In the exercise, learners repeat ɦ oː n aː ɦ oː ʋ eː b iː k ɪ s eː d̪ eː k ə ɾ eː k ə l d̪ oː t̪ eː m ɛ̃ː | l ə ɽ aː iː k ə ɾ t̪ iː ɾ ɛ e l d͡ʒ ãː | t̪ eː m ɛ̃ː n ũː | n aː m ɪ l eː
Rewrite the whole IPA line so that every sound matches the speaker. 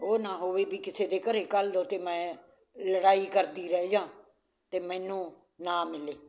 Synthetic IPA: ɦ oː n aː ɦ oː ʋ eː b iː k ɪ s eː d̪ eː k ə ɾ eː k ə l d̪ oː t̪ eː m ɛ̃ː | l ə ɽ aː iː k ə ɾ d̪ iː ɾ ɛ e d͡ʒ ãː | t̪ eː m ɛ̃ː n ũː | n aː m ɪ l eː